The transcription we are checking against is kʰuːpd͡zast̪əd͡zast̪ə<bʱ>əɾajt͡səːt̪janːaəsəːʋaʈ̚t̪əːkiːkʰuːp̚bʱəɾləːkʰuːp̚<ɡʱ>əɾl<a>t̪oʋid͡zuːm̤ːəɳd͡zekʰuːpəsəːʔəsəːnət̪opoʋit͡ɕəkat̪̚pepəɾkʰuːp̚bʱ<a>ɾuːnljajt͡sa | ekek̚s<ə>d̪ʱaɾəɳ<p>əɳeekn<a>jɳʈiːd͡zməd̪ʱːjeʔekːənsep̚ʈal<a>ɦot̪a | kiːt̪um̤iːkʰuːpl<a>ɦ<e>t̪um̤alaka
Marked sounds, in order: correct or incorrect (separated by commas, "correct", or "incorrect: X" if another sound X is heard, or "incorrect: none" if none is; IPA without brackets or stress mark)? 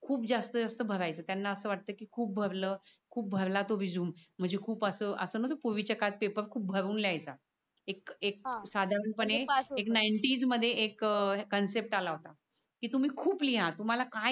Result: correct, incorrect: bʱ, correct, incorrect: ə, incorrect: a, correct, correct, correct, incorrect: i, incorrect: a